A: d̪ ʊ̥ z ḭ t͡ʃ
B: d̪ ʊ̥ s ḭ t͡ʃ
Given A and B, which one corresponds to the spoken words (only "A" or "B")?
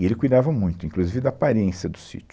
B